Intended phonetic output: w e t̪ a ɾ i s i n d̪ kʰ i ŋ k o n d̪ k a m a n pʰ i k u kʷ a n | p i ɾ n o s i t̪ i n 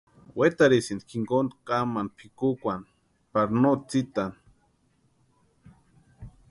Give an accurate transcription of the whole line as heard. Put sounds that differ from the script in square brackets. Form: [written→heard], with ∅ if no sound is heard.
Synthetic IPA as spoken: w e t̪ a ɾ i s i n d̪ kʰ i ŋ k o n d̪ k a m a n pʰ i k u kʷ a n | p [i→a] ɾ n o [s→t͡s] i t̪ [i→a] n

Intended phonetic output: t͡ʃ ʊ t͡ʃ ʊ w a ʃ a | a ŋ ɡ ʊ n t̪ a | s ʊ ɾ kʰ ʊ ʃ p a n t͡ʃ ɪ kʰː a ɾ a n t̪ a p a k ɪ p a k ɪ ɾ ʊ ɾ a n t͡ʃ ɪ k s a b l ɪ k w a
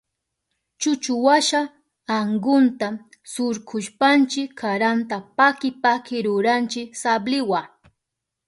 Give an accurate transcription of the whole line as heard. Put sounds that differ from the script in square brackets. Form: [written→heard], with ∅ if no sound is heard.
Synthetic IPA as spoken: t͡ʃ ʊ t͡ʃ ʊ w a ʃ a | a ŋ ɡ ʊ n t̪ a | s ʊ ɾ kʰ ʊ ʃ p a n t͡ʃ ɪ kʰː a ɾ a n t̪ a p a k ɪ p a k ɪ ɾ ʊ ɾ a n t͡ʃ ɪ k s a b l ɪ [k→∅] w a

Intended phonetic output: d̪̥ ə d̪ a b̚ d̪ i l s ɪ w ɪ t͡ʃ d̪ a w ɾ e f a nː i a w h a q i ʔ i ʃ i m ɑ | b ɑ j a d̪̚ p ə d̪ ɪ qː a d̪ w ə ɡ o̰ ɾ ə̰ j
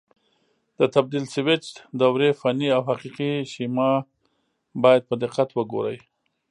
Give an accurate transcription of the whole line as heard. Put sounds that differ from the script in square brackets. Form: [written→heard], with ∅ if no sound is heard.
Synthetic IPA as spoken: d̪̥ ə [d̪→t̪] a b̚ d̪ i l s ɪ w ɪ t͡ʃ d̪ a w ɾ e f a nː i a w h a q i [ʔ→q] i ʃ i m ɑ | b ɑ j a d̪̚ p ə d̪ ɪ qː a [d̪→t̪] w ə ɡ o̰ ɾ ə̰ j

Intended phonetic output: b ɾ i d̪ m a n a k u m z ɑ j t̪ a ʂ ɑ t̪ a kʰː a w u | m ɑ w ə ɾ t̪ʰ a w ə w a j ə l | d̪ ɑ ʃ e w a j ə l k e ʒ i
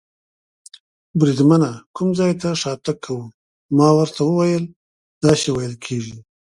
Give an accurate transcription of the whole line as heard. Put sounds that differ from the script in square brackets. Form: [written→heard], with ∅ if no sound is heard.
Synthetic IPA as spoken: b ɾ i d̪ m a n a k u m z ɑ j t̪ a ʂ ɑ t̪ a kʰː a w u | m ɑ w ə ɾ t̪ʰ a w ə w a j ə l | d̪ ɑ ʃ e w a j ə l [k→kʰ] e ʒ i

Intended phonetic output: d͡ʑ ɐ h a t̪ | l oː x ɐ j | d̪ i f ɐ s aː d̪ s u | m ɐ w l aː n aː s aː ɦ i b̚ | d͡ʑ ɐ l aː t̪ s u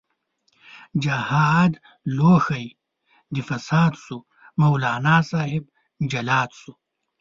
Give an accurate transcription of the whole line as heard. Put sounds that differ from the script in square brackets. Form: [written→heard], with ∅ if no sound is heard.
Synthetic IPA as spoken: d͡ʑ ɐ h a [t̪→d̪] | l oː x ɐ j | d̪ i f ɐ s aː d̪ s u | m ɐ w l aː n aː s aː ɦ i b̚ | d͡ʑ ɐ l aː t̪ s u

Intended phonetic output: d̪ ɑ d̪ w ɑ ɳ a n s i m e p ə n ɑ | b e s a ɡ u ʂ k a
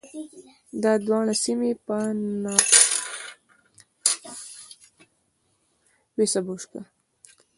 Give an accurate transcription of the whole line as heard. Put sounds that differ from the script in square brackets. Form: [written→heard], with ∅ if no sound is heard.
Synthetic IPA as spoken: d̪ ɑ d̪ w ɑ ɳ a [n→∅] s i m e p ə n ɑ | [b→w] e s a [ɡ→b] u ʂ k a

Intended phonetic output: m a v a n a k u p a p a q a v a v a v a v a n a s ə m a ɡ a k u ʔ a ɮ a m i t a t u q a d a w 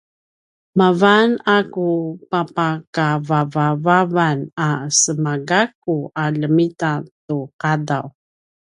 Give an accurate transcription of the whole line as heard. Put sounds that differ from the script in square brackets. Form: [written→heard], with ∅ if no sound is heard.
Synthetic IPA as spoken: m a v a n a k u p a p a [q→k] a v a v a v a v a n a s ə m a ɡ a k u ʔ a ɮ [a→ə] m i t a t u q a d a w

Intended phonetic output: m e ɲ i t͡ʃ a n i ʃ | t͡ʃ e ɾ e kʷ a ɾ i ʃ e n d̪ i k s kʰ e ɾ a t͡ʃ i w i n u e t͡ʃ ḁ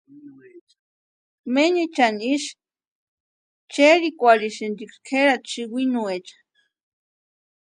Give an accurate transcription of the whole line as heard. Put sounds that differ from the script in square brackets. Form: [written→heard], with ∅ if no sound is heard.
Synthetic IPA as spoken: m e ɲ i t͡ʃ a n i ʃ | t͡ʃ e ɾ [e→i] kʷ a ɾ i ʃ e n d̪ i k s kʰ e ɾ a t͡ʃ i w i n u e t͡ʃ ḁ

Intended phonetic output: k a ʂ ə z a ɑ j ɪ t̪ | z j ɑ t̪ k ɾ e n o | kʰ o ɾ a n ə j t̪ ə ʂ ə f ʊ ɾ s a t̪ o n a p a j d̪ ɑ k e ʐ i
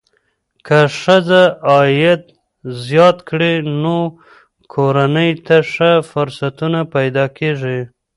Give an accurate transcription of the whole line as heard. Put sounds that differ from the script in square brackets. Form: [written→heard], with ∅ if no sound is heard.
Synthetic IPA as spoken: k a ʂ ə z a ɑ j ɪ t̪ | z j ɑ t̪ k [ɾ→ɽ] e n o | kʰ o ɾ a n ə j t̪ [ə→a] ʂ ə f ʊ ɾ s a t̪ [o→u] n a p a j d̪ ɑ k e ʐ i

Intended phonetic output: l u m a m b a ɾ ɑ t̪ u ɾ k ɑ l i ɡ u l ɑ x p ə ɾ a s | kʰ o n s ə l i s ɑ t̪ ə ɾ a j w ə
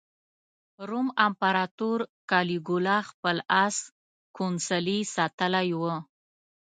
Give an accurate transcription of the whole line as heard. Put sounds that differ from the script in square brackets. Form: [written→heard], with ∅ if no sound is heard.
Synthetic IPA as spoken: [l→ɾ] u m a m [b→p] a ɾ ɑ t̪ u ɾ k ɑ l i ɡ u l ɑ x p ə [ɾ→l] a s | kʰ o n s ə l i s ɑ t̪ ə [ɾ→l] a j w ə

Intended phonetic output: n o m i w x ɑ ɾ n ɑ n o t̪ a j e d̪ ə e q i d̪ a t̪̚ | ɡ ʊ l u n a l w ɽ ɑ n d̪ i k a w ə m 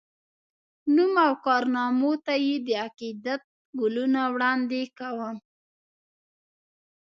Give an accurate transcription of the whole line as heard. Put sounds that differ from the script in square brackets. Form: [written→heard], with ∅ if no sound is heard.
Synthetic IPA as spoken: n [o→u] m [i→a] w [x→k] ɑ ɾ n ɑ [n→m] o t̪ a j e d̪ ə [e→a] q i d̪ a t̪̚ | ɡ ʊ l u n a [l→∅] w ɽ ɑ n d̪ [i→e] k a w ə m

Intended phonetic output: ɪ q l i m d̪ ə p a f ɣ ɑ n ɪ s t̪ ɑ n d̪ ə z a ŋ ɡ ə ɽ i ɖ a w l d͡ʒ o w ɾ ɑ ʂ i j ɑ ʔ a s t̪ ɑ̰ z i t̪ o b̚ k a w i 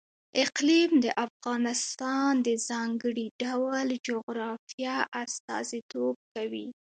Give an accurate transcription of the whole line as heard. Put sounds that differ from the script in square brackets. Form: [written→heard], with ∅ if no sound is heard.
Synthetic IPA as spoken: ɪ q l i m d̪ ə [p→ʔ] a f ɣ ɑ n ɪ s t̪ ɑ n d̪ ə z [a→ɑ] ŋ ɡ ə ɽ i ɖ a w l d͡ʒ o [w→ɣ] ɾ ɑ [ʂ→f] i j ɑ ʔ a s t̪ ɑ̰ z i t̪ o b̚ k a w i

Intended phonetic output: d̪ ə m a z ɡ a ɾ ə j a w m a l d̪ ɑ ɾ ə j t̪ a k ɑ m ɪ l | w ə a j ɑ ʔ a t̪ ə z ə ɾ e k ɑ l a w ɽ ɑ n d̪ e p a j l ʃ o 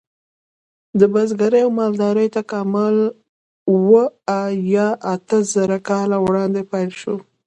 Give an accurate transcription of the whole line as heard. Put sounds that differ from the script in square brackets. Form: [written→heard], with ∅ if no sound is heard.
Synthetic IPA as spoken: d̪ ə [m→b] a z ɡ a ɾ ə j a w m [a→ɑ] l d̪ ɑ ɾ ə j t̪ a k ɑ m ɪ l | w ə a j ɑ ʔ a t̪ ə z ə ɾ [e→a] k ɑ l a w ɽ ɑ n d̪ e p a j l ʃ o

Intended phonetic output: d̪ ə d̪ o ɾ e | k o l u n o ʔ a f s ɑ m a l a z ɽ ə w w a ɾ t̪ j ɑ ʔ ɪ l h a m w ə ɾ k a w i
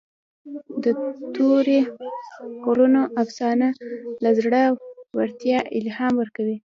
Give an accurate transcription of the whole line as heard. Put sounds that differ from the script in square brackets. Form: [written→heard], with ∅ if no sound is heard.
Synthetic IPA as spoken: d̪ ə [d̪→t̪] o ɾ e | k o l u n o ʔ a f s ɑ [m→n] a l a z ɽ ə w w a ɾ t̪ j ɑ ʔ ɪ l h [a→ɑ] m w ə ɾ k a w i

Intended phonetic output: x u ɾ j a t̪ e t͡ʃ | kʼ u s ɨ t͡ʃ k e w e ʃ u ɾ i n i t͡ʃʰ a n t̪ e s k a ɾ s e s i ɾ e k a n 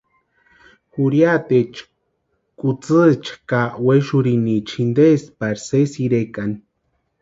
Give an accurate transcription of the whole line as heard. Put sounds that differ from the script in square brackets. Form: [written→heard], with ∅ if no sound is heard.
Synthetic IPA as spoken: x u ɾ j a t̪ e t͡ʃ | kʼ u [s→t͡s] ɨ t͡ʃ k [e→a] w e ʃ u ɾ i n i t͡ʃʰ [a→i] n [t̪→d̪] e s [k→p] a ɾ s e s i ɾ e k a n

